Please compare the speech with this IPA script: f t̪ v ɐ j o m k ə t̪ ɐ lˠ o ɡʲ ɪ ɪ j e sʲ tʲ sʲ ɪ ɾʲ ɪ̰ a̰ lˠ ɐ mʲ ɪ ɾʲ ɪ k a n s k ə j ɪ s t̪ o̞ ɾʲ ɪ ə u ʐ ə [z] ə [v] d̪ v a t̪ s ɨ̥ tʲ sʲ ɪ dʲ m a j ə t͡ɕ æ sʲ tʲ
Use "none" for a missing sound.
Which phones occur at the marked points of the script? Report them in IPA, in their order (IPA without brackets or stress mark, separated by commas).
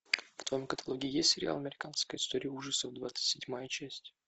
s, v